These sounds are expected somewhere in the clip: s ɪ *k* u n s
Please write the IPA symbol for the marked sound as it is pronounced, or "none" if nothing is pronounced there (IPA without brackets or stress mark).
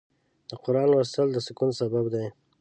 k